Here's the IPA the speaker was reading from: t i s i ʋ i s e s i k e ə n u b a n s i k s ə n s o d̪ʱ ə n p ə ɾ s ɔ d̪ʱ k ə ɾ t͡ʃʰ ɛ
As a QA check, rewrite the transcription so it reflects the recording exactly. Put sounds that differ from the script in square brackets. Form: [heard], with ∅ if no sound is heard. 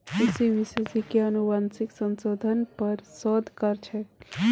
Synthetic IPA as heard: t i s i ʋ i s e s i k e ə n u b a n s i k s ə n s o d̪ʱ ə n p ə ɾ s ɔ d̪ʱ k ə ɾ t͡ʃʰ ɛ